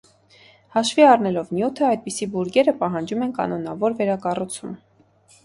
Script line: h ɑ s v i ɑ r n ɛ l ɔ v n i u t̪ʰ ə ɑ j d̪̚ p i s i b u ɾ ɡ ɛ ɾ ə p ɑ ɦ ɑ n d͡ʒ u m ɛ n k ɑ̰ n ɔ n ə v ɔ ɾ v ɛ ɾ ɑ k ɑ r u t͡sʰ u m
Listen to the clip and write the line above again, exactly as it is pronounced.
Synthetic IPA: h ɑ ʃ v i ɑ r n ɛ l ɔ v n j u t̪ʰ ə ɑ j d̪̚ p i s i b u ɾ ɡ ɛ ɾ ə p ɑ ɦ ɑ n d͡ʒ u m ɛ n k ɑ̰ n ɔ n ɑ v ɔ ɾ v ɛ ɾ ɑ k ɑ r u t͡sʰ u m